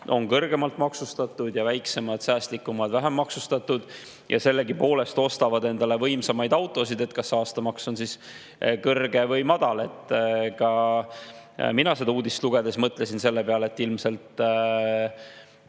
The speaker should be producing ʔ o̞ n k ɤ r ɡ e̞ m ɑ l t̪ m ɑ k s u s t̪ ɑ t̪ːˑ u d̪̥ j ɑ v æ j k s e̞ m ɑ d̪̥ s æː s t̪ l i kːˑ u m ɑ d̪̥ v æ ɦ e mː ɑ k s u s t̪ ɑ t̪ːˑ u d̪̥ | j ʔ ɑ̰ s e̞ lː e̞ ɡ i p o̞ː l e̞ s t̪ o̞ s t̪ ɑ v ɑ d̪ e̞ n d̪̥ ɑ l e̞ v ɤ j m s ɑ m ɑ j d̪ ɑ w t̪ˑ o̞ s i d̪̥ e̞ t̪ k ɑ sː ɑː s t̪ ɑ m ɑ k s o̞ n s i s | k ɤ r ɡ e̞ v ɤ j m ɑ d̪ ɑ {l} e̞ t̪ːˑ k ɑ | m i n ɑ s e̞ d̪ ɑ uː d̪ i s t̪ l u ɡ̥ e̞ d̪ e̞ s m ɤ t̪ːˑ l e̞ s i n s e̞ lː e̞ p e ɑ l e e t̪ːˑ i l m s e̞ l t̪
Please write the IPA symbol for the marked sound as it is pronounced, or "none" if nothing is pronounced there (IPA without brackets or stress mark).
l